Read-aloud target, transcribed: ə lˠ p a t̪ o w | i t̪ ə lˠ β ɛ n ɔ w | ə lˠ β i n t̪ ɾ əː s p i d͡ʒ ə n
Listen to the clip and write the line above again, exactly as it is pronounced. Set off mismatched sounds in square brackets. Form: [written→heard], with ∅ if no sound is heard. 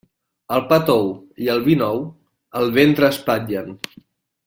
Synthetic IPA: ə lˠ p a t̪ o w | i [t̪→∅] ə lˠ β [ɛ→i] n ɔ w | ə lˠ β [i→e] n t̪ ɾ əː s p [i→a] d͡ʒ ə n